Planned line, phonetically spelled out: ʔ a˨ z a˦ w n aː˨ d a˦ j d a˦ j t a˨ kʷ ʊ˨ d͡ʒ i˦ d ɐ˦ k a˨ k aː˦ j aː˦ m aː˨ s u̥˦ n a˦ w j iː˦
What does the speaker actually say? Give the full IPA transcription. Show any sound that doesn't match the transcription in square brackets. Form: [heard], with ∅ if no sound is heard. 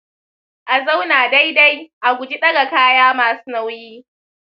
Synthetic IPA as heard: ʔ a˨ z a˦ w n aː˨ d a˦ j d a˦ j [ʔ] a˨ [ɡʷ] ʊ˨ d͡ʒ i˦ [ɗ] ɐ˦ [ɡ] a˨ k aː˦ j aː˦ m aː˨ s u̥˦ n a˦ w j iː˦